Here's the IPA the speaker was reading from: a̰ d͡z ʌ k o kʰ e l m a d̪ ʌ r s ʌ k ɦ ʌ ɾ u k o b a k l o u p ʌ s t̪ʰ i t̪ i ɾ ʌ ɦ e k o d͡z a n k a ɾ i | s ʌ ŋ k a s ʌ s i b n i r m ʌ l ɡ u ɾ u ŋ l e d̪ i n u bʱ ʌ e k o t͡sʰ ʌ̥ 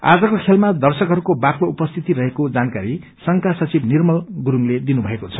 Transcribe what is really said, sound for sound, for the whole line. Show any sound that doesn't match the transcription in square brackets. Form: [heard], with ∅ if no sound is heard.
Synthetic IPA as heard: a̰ d͡z ʌ k o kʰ e l m a d̪ ʌ r s ʌ k ɦ ʌ ɾ u k o b a k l o u p ʌ s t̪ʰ i t̪ i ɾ ʌ ɦ e k o d͡z a n k a ɾ i | s ʌ ŋ k a s ʌ [t͡s] i b n i r m ʌ l ɡ u ɾ u ŋ l e d̪ i n u bʱ ʌ e k o t͡sʰ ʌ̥